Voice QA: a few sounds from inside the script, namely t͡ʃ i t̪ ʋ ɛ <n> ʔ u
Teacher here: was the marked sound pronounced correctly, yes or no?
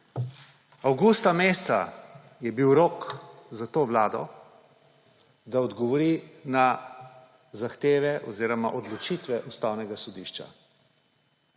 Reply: no